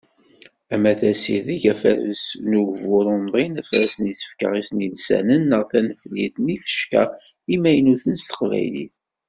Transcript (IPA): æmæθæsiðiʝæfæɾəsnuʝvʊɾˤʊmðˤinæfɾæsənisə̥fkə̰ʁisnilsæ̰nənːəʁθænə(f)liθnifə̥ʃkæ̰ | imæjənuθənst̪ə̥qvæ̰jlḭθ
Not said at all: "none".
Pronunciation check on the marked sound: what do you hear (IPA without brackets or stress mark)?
f